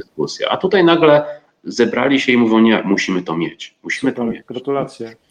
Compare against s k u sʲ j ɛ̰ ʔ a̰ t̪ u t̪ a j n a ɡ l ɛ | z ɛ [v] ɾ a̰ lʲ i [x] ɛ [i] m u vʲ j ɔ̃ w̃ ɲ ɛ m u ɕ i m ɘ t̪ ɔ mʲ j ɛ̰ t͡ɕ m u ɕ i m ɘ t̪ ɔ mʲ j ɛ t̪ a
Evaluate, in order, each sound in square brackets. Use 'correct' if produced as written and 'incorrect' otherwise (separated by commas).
incorrect, incorrect, correct